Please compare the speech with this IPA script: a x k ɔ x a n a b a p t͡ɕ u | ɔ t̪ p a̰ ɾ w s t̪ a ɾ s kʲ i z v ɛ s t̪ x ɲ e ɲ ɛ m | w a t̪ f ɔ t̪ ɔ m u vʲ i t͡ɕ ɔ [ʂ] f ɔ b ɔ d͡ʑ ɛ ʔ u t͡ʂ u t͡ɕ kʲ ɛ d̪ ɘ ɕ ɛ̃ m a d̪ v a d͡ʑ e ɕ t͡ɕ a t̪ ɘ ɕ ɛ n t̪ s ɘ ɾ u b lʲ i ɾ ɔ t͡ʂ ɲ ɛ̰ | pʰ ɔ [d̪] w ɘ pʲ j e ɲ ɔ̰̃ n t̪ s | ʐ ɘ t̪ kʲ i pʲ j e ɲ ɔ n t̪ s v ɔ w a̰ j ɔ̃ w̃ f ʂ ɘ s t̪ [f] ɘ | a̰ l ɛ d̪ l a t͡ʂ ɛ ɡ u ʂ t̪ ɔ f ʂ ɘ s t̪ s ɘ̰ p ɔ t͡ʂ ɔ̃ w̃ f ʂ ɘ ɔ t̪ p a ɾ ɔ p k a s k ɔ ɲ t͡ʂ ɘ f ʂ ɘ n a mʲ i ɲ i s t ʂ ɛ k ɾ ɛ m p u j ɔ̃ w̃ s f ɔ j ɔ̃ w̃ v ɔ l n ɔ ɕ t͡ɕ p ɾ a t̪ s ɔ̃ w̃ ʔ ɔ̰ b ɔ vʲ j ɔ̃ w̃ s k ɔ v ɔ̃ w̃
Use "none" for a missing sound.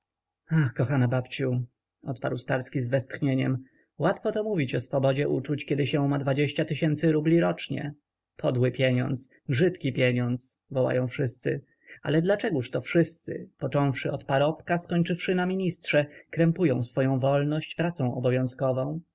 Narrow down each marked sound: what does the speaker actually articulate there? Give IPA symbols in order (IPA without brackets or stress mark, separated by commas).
s, d̪, s